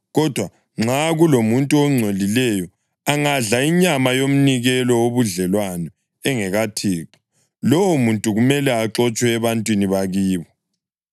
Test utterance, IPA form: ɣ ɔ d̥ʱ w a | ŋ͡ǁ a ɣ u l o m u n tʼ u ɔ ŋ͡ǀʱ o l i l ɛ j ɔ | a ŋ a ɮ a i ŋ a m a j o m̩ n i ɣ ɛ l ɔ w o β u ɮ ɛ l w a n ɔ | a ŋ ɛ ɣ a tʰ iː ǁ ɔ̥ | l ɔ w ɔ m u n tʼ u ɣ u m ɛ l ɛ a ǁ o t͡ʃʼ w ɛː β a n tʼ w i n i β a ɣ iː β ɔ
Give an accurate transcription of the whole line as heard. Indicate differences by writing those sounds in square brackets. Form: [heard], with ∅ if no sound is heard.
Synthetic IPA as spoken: ɣ ɔ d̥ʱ w a | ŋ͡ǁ a ɣ u l o m u n tʼ u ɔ ŋ͡ǀʱ o l i l ɛ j ɔ | a ŋ a ɮ a i [ɲ] a m a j o m̩ n i ɣ ɛ l ɔ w o β u ɮ ɛ l w a n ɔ | [ɛ] ŋ ɛ ɣ a tʰ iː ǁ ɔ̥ | l ɔ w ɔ m u n tʼ u ɣ u m ɛ l ɛ a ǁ [ɔ] t͡ʃʼ w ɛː β a n tʼ w i n i β a ɣ iː β ɔ